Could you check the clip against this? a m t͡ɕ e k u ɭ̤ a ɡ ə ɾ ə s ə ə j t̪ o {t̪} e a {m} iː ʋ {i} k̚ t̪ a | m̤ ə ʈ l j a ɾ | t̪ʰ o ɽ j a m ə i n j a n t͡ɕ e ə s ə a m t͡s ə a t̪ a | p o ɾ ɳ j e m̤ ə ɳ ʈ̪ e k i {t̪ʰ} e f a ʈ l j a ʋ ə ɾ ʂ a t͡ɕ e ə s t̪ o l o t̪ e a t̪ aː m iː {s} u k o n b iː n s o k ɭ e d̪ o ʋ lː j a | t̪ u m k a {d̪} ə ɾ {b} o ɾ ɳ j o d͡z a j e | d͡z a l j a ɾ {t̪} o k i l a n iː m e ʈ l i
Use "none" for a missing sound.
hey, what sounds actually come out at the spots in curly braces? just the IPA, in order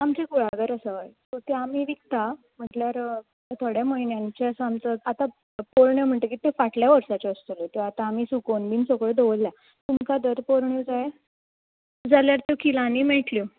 t̪, m, i, t̪, s, d̪, p, t̪

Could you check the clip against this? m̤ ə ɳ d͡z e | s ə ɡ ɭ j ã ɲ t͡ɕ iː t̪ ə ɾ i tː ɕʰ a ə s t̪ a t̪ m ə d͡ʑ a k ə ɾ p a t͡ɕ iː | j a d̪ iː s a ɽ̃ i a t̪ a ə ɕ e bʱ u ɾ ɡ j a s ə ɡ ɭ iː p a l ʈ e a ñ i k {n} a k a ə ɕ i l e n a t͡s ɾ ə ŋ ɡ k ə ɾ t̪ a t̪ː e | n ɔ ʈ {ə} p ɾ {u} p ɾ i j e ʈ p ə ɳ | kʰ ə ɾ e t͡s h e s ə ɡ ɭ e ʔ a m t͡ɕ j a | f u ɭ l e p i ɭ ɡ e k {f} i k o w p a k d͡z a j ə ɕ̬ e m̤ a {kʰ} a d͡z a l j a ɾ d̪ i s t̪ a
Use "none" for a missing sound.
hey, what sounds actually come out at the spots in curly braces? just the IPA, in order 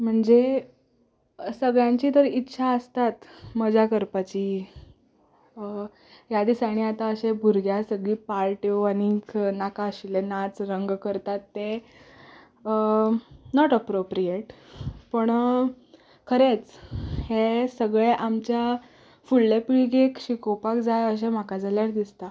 n, ə, o, ɕ, k

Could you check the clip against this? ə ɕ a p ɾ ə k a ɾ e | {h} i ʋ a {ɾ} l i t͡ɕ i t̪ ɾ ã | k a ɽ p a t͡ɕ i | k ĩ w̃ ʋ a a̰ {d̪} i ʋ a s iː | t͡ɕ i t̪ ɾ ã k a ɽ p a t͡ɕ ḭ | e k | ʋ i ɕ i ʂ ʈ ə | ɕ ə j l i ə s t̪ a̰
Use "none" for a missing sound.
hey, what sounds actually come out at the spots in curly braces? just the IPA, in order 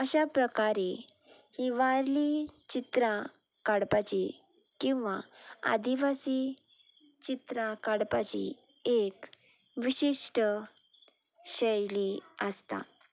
h, ɾ, d̪

